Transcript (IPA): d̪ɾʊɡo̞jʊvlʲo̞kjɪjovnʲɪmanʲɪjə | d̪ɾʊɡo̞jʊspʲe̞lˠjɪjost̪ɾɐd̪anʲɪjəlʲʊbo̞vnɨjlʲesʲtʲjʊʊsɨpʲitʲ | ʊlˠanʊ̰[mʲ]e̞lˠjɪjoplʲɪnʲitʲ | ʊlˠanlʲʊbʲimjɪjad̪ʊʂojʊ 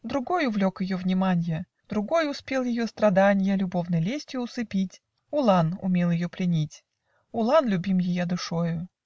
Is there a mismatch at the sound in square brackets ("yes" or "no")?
no